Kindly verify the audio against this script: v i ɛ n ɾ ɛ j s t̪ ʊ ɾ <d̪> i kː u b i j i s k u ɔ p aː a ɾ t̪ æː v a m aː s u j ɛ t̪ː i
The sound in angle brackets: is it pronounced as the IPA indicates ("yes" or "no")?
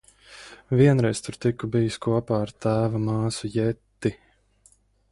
no